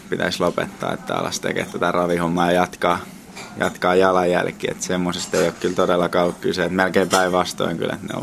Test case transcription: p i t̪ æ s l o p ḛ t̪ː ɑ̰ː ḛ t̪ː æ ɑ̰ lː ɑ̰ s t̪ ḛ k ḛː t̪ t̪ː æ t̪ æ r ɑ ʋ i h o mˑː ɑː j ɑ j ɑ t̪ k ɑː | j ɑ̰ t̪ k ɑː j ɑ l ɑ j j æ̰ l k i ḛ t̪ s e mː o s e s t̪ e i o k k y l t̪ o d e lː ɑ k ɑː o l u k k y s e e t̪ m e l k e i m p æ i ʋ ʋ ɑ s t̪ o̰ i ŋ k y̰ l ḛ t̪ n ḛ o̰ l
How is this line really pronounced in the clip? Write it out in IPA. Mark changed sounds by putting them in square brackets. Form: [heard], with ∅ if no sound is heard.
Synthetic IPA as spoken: p i t̪ æ s l o p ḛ t̪ː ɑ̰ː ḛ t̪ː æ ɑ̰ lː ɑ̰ s t̪ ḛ k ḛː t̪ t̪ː æ t̪ æ r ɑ ʋ i h o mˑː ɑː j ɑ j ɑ t̪ k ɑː | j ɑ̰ t̪ k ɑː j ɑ l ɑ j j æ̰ l k i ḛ t̪ s e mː o s e s t̪ e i o k k y l t̪ o d e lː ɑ k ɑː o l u k k y s e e t̪ m e l k e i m p æ i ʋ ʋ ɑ s t̪ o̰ i ŋ k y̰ l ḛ t̪ n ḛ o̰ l